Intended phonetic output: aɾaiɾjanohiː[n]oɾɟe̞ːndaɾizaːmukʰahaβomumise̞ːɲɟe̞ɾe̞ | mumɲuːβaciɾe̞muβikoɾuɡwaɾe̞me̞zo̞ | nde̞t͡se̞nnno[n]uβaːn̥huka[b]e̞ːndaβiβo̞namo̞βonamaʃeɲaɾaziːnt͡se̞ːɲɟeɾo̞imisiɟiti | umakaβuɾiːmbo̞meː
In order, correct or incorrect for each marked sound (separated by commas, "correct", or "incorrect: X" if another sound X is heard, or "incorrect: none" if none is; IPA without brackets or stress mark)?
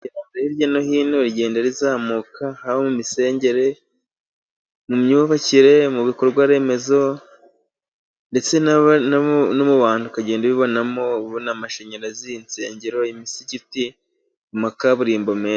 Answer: correct, incorrect: m, incorrect: ɟ